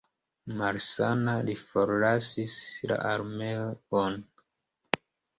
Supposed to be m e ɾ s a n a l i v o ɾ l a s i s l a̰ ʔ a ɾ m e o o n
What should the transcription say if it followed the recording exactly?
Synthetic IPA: m a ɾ s a n a l i f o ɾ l a s i s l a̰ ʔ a ɾ m e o o n